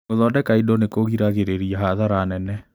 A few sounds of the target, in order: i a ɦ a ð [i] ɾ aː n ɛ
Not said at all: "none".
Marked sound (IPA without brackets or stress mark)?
a